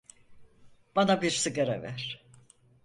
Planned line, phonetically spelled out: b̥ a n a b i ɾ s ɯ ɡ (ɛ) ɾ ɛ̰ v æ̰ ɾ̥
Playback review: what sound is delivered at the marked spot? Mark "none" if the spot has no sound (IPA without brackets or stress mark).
a